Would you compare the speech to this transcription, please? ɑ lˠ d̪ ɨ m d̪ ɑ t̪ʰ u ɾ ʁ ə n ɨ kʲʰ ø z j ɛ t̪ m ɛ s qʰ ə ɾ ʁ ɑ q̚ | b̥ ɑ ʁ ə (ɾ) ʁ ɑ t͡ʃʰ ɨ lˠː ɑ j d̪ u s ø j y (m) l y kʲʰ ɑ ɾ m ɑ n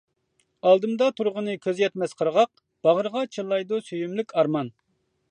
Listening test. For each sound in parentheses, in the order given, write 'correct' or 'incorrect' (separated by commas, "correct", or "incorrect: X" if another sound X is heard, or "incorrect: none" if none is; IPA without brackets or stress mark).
correct, correct